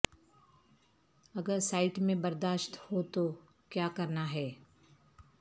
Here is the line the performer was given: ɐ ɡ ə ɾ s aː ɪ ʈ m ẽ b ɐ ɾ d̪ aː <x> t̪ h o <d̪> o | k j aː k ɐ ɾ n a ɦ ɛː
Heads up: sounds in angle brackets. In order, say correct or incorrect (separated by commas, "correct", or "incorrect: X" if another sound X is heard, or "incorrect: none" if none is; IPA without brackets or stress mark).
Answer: incorrect: ʃ, incorrect: t̪